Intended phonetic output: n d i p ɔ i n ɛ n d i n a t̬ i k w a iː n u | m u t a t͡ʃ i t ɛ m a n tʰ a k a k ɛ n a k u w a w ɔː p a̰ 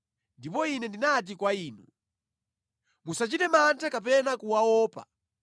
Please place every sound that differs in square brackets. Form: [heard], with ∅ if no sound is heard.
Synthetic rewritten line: n d i p ɔ i n ɛ n d i n a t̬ i k w a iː n u | m u [s] a t͡ʃ i t ɛ m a n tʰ a k a [p] ɛ n a k u w a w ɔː p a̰